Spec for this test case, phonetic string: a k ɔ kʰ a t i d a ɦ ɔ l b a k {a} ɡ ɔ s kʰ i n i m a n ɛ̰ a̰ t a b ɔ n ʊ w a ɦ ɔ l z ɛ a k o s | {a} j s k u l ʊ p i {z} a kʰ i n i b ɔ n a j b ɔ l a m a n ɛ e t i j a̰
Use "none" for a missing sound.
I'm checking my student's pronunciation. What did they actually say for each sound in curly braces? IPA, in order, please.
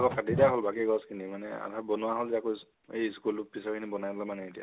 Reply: i, e, s

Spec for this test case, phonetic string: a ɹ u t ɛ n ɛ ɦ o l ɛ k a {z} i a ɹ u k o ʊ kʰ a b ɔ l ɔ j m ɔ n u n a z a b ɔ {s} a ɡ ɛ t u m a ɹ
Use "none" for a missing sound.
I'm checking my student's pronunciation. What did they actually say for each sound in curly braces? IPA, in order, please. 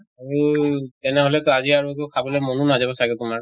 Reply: z, s

